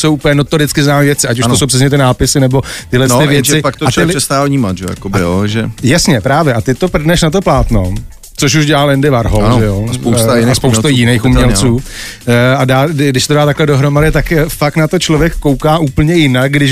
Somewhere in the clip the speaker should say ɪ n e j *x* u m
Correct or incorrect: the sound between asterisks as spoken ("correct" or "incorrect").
correct